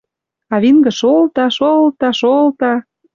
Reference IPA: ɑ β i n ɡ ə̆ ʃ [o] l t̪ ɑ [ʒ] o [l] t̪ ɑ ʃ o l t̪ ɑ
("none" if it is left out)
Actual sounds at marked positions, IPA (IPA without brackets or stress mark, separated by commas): o, ʃ, l